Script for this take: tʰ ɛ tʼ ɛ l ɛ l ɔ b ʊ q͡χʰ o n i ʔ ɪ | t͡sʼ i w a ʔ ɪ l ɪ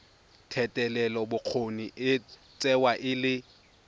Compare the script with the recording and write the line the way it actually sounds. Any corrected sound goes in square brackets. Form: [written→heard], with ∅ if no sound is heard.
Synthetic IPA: tʰ ɛ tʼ ɛ l ɛ l ɔ b ʊ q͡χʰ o n i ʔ ɪ | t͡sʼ [i→ɛ] w a ʔ ɪ l ɪ